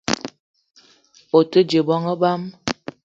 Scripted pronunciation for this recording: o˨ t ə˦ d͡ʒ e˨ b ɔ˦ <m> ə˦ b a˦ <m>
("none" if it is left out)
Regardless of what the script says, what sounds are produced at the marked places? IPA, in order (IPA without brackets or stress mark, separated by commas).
ŋ, m